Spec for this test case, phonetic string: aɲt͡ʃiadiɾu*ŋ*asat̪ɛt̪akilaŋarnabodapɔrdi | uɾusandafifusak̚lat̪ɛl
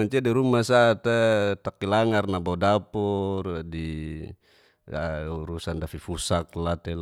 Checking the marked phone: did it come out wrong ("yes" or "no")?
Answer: yes